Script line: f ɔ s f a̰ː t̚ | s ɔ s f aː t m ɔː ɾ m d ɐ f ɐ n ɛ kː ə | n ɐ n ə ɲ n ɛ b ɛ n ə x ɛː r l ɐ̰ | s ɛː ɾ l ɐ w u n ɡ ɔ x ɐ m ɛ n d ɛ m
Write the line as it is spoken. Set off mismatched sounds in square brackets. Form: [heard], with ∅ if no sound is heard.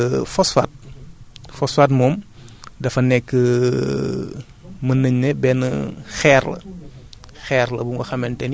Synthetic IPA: f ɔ s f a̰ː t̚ | [f] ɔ s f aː t m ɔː [∅] m d ɐ f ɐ n ɛ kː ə | [m] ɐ n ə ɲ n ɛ b ɛ n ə x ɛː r l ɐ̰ | [x] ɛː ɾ l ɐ [b] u [ŋ] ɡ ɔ x ɐ m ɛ n [t] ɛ [n]